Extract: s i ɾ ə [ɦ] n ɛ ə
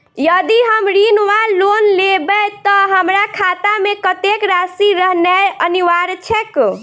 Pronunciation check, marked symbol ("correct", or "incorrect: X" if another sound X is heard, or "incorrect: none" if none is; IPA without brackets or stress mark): correct